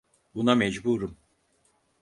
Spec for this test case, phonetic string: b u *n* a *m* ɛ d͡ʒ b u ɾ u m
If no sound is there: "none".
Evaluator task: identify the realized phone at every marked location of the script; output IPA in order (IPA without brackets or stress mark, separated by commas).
n, m